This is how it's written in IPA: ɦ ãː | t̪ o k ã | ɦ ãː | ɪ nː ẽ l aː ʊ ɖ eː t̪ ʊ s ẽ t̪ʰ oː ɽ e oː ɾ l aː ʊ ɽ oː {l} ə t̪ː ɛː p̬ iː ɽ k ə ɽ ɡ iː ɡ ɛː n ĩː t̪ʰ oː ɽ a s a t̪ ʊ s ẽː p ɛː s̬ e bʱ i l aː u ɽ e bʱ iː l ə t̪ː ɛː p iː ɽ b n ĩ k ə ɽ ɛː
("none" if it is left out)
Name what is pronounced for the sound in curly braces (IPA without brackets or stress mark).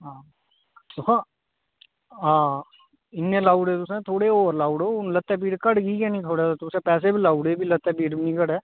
l